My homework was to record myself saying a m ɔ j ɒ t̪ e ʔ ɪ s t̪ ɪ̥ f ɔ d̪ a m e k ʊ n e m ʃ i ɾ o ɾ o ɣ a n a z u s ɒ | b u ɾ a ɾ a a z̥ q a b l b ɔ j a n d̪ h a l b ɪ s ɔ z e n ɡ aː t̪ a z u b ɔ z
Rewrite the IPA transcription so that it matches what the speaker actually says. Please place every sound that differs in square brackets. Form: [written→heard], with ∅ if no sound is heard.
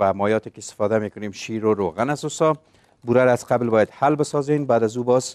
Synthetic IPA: a m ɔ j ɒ t̪ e [ʔ→k] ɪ s t̪ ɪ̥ f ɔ d̪ a m e k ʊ n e m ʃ i ɾ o ɾ o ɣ a n a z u s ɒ | b u ɾ a ɾ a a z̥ q a b l b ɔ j a [n→∅] d̪ h a l b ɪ s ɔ z e n [ɡ→b] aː [t̪→d̪] a z u b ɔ z